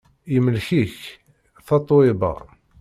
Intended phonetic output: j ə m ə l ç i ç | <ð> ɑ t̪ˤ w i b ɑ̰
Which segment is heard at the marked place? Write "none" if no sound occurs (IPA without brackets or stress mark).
θ